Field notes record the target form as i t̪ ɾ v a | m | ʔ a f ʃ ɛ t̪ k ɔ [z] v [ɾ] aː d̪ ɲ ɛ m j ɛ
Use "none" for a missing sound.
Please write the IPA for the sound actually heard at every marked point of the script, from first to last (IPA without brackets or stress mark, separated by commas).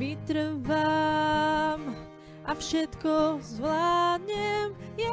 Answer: z, l